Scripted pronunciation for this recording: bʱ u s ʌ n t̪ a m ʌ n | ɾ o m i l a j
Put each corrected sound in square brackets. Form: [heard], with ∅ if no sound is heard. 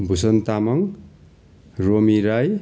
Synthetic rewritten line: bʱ u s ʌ n t̪ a m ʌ [ŋ] | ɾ o m i [ɾ] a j

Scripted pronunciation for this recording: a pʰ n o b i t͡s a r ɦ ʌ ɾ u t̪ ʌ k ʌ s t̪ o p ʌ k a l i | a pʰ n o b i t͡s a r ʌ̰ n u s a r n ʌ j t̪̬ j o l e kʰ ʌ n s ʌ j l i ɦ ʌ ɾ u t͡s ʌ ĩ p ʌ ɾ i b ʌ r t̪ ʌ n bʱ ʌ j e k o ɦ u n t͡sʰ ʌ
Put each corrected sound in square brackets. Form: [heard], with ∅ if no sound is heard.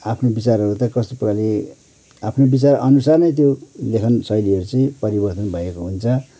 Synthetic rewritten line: a pʰ n o b i t͡s a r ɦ ʌ ɾ u t̪ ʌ k ʌ s t̪ o p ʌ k a l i | a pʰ n o b i t͡s a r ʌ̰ n u s a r n ʌ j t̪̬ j o l e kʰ ʌ n s ʌ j l i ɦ ʌ ɾ u t͡s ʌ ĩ p ʌ ɾ i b ʌ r t̪ ʌ n bʱ ʌ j e k o ɦ u n t͡sʰ ʌ

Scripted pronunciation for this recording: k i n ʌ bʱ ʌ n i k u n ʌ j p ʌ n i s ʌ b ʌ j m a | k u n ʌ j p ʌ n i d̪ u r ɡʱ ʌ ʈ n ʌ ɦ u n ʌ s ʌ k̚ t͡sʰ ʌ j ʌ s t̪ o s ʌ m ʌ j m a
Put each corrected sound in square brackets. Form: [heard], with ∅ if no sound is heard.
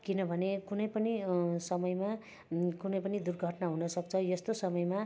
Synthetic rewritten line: k i n ʌ bʱ ʌ n [e] k u n ʌ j p ʌ n i s ʌ [m] ʌ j m a | k u n ʌ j p ʌ n i d̪ u r ɡʱ ʌ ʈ n [a] ɦ u n ʌ s ʌ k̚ t͡sʰ ʌ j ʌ s t̪ o s ʌ m ʌ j m a

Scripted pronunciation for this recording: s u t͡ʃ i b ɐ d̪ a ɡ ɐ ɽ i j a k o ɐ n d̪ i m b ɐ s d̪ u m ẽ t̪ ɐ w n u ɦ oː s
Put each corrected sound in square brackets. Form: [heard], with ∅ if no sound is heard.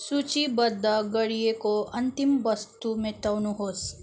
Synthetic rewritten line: s u t͡ʃ i b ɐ d̪ a ɡ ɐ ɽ i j [e] k o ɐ n [t̪] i m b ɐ s [t̪] u m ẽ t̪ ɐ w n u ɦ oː s

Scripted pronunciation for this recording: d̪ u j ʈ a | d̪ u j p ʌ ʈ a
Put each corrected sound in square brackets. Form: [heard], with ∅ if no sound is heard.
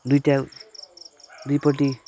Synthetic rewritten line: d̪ u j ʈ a | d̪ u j p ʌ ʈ [i]

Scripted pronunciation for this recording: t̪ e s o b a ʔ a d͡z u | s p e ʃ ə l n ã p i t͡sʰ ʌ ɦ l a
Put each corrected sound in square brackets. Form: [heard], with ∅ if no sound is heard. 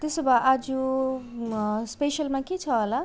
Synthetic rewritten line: t̪ e s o b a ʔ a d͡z u | s p e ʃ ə l [m] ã [k] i t͡sʰ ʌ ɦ l a

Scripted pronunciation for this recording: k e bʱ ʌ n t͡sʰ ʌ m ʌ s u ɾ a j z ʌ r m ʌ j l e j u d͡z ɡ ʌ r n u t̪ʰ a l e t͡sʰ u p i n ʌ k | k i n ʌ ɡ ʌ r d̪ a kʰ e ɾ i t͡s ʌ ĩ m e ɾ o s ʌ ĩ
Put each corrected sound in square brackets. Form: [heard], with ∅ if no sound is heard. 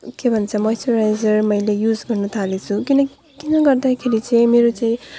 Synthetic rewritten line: k e bʱ ʌ n t͡sʰ ʌ m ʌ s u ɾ a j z ʌ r m ʌ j l e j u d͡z ɡ ʌ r n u t̪ʰ a l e t͡sʰ u [k] i n ʌ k | k i n ʌ ɡ ʌ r d̪ a kʰ e ɾ i t͡s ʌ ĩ m e ɾ o [t͡s] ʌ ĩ

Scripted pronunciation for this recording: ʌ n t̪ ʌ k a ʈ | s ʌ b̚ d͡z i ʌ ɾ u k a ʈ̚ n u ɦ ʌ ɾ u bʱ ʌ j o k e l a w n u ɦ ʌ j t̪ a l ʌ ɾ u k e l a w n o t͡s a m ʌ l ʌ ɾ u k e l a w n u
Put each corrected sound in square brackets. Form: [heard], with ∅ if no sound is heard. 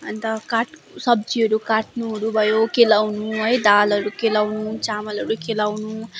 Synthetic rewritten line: ʌ n t̪ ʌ k a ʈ | s ʌ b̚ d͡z i ʌ ɾ u k a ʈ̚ n u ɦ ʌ ɾ u bʱ ʌ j o k e l a w n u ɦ ʌ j [d̪] a l ʌ ɾ u k e l a w n [u] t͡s a m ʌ l ʌ ɾ u k e l a w n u

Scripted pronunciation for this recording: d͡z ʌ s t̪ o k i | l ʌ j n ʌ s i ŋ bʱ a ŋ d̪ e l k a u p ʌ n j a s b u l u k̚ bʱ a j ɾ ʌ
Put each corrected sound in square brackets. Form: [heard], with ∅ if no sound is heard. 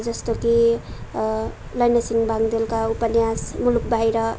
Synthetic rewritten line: d͡z ʌ s t̪ o k i | l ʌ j n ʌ s i ŋ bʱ a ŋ d̪ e l k a u p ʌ n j a s [m] u l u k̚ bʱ a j ɾ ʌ

